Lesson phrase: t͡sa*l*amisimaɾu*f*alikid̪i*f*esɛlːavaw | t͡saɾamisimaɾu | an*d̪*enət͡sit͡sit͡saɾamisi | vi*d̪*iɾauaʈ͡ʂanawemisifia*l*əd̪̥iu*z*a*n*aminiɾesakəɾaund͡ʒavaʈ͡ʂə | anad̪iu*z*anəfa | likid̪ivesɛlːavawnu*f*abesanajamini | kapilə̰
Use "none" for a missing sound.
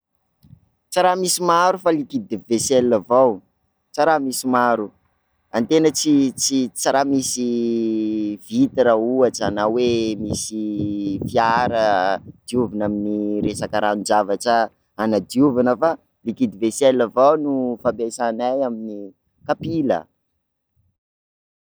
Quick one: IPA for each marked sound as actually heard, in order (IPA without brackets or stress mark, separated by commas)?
ɾ, f, v, t̪, t̪, ɾ, v, n, v, f